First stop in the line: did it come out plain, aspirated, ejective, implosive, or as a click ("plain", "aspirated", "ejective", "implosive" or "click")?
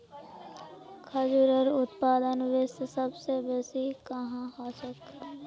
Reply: aspirated